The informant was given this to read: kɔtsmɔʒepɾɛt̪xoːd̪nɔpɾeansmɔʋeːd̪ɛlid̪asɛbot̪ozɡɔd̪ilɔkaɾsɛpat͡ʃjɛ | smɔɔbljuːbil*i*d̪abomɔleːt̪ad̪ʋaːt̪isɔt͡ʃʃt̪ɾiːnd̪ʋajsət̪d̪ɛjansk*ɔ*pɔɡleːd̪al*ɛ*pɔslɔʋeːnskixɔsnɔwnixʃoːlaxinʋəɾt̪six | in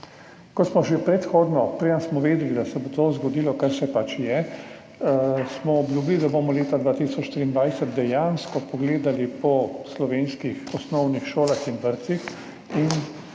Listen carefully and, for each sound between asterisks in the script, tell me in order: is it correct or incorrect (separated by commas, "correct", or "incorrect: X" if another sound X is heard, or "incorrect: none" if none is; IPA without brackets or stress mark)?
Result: correct, correct, incorrect: i